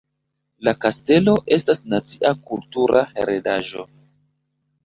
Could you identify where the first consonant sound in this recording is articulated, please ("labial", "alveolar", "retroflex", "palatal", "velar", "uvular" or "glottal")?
alveolar